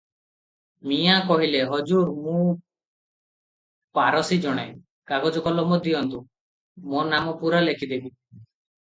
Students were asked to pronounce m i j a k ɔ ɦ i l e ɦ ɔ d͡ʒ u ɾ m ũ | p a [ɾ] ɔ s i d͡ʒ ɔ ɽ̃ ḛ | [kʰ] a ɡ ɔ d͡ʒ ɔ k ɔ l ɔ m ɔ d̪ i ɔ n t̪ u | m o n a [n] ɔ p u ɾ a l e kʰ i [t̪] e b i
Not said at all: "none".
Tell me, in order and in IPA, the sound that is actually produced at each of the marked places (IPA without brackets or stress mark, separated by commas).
ɾ, k, m, d̪